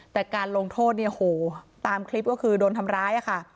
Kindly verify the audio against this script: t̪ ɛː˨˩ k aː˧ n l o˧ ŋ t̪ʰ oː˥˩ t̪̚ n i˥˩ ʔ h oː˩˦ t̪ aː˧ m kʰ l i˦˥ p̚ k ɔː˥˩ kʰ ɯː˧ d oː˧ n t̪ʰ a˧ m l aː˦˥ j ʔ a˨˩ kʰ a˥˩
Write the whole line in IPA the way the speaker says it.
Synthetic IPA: t̪ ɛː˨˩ k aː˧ n l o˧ ŋ t̪ʰ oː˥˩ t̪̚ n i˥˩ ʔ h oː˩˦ t̪ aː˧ m kʰ l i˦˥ p̚ k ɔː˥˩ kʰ ɯː˧ d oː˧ n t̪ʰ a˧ m ɾ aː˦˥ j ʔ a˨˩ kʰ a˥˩